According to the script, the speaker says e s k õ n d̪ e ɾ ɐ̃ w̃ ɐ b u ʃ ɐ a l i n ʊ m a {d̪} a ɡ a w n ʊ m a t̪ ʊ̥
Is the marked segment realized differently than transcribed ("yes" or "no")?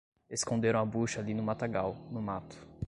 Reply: yes